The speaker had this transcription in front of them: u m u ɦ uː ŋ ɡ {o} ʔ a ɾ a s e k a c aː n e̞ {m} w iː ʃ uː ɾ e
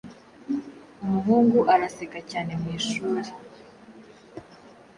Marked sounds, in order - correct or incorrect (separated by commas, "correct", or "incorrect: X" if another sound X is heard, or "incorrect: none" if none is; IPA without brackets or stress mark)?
incorrect: u, correct